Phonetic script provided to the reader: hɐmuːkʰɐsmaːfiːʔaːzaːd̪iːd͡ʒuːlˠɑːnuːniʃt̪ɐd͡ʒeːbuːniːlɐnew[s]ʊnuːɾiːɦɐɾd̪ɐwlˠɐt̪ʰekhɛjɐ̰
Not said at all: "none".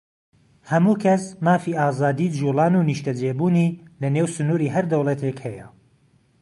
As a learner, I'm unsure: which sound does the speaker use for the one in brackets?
s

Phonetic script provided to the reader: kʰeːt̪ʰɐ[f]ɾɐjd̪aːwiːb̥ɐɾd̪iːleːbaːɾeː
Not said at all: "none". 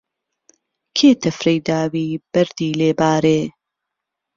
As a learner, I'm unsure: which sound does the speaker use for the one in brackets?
f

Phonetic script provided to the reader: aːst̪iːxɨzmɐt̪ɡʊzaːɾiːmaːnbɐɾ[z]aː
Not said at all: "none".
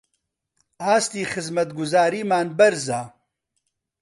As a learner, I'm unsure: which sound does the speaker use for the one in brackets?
z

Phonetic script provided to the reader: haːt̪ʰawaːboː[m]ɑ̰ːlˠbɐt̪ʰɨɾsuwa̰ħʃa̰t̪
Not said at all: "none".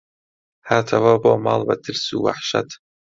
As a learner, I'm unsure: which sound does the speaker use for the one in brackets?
m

